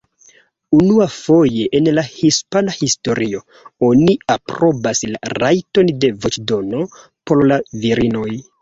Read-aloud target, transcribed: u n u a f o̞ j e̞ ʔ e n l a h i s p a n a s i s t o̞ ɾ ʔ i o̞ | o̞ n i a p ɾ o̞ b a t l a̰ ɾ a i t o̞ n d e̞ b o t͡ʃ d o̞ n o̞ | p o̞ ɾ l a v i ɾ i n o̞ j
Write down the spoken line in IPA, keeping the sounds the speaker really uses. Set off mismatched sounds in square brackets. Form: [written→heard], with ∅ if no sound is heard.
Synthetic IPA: u n u a f o̞ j e̞ ʔ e n l a h i s p a n a [s→h] i s t o̞ ɾ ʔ i o̞ | o̞ n i a p ɾ o̞ b a [t→s] l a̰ ɾ a [i→j] t o̞ n d e̞ [b→v] o t͡ʃ d o̞ n o̞ | p o̞ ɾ l a v i ɾ i n o̞ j